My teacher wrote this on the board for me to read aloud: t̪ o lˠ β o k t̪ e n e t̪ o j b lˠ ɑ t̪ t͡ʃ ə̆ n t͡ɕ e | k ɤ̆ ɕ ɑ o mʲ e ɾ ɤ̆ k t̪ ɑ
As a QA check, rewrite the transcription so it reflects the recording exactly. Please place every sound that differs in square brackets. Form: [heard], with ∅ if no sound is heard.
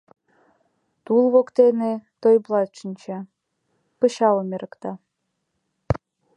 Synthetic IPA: t̪ [u] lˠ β o k t̪ e n e t̪ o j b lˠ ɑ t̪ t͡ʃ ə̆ n t͡ɕ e | [p] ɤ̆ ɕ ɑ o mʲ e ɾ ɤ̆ k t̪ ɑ